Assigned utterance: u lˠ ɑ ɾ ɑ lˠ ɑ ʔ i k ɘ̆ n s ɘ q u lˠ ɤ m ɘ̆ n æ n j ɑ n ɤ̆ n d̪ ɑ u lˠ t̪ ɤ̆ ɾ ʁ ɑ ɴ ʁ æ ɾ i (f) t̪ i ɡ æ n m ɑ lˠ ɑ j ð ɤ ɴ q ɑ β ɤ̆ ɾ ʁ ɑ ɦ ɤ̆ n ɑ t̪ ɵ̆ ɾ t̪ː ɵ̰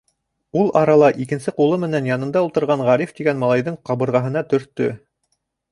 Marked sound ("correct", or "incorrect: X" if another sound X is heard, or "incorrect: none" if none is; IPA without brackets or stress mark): correct